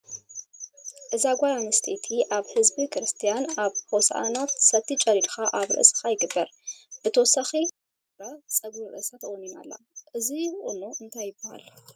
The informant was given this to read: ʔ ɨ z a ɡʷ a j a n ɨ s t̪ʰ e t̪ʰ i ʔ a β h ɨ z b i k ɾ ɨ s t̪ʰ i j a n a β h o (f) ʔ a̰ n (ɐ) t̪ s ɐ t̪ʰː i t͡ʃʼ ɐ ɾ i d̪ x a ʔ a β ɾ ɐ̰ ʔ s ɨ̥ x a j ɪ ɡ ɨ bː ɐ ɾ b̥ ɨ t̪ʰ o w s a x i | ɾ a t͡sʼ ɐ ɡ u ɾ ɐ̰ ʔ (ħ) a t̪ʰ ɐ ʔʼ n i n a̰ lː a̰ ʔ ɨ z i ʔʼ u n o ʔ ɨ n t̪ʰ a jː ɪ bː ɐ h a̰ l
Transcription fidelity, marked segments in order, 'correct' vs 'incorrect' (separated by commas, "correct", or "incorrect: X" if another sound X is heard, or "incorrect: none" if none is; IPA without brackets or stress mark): incorrect: s, incorrect: a, incorrect: s